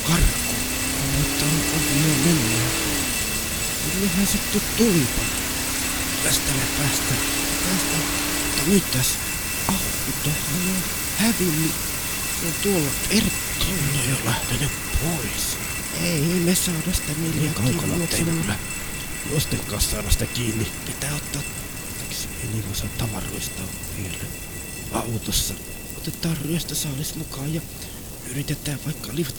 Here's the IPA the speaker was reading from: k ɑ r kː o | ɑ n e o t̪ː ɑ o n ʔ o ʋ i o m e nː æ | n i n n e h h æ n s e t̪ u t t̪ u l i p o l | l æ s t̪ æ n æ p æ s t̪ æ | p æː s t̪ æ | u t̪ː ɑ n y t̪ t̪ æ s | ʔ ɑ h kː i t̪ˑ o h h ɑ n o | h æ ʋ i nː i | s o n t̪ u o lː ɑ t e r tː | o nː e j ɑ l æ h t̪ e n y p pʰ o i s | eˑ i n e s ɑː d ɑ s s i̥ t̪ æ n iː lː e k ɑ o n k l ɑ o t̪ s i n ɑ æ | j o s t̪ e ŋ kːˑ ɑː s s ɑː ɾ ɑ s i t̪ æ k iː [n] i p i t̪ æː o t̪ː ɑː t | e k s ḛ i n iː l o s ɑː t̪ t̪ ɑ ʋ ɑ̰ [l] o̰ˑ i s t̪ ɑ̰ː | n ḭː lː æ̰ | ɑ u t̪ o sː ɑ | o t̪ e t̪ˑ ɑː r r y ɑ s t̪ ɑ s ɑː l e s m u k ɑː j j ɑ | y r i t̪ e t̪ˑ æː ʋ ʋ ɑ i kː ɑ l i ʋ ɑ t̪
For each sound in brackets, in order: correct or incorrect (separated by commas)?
incorrect, incorrect